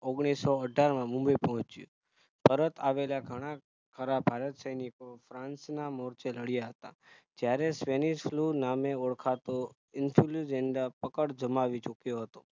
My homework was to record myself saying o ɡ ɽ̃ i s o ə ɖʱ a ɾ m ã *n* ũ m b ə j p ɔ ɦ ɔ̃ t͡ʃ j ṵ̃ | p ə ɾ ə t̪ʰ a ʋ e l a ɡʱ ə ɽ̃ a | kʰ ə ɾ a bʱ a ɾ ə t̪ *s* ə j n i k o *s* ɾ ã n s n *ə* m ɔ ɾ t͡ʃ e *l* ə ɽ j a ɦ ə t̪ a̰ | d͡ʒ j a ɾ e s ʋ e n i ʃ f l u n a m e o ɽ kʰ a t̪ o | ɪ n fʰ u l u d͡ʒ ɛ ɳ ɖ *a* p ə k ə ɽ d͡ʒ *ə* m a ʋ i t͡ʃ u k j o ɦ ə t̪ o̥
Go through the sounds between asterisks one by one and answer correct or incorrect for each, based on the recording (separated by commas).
incorrect, correct, incorrect, incorrect, correct, correct, correct